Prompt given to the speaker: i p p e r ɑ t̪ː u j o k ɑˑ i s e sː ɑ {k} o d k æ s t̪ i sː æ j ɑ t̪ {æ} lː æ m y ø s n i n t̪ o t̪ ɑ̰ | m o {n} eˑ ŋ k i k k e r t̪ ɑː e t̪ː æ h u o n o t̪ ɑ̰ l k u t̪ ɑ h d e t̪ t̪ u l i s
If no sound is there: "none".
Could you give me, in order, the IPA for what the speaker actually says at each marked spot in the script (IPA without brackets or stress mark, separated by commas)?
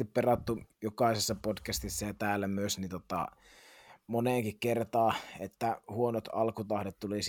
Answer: p, æː, n